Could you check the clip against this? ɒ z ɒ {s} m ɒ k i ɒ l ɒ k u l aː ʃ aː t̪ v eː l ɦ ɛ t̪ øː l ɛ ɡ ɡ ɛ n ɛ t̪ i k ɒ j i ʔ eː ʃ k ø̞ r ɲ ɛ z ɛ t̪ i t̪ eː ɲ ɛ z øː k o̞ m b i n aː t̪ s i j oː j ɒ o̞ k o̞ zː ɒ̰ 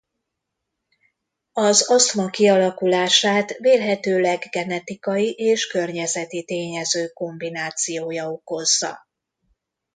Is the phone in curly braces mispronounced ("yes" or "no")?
no